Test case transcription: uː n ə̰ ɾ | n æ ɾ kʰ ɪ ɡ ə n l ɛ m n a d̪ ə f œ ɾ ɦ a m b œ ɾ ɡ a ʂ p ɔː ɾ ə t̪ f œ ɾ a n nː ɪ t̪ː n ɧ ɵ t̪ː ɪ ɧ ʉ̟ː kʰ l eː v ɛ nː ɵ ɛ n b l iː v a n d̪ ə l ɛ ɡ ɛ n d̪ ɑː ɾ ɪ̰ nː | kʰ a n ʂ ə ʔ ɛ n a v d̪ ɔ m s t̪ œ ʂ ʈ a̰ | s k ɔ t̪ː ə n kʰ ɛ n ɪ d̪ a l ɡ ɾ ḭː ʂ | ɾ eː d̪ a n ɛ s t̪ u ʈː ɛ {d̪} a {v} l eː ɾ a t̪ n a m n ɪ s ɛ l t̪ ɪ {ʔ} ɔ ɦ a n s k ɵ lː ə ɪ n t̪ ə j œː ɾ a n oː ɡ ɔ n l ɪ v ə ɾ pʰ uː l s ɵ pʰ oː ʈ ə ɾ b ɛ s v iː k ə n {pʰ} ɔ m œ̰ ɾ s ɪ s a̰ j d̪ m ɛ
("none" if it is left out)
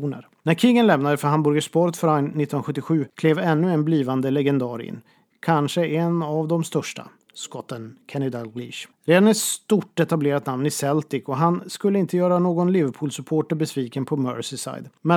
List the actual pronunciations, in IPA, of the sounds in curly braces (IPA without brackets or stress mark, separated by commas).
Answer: t̪, b, k, pʰ